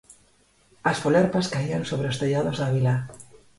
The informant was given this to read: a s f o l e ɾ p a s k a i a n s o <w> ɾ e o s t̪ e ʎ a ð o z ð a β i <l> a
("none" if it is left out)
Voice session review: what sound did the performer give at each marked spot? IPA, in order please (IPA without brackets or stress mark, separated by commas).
β, l